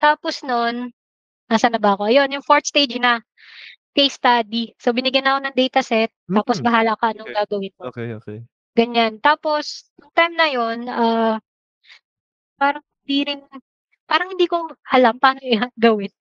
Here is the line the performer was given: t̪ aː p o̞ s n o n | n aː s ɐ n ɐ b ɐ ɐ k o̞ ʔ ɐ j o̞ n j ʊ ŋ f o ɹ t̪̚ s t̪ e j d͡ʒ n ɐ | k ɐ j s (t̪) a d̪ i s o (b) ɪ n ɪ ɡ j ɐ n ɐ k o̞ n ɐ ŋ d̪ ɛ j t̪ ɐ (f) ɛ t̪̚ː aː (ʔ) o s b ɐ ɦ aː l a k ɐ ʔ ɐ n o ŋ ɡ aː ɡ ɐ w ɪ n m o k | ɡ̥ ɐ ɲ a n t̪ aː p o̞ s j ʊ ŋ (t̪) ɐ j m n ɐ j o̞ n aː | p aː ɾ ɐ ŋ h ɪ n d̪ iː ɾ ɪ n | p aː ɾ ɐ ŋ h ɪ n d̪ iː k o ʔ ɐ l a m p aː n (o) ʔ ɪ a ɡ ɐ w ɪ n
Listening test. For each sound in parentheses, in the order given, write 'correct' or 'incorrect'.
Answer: correct, correct, incorrect: s, incorrect: p, correct, correct

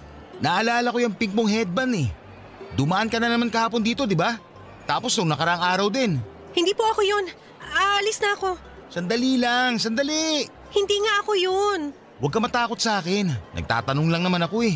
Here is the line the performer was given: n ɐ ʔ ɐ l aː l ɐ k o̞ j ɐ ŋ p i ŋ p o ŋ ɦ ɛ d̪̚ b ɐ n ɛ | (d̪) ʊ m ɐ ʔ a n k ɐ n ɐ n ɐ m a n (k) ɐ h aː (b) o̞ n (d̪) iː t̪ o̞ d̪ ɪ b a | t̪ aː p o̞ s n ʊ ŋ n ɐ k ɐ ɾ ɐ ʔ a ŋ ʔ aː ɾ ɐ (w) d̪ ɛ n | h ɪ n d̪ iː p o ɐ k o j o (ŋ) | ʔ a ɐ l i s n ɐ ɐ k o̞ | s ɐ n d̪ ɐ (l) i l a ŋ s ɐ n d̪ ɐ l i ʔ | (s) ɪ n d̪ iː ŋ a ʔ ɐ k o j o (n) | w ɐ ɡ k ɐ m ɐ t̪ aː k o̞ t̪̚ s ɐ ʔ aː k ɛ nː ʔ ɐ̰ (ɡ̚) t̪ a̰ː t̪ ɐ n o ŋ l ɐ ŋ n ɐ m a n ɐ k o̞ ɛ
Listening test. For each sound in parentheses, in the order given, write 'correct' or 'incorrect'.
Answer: correct, correct, incorrect: p, correct, correct, incorrect: n, correct, incorrect: h, correct, correct

